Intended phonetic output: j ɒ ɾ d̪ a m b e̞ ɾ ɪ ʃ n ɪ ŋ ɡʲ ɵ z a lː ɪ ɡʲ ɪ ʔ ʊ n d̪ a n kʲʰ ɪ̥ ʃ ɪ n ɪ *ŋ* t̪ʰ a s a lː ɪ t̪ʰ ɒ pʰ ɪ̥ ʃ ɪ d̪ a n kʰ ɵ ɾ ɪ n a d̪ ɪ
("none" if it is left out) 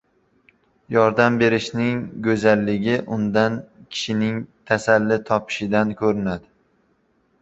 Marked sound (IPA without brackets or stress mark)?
ŋ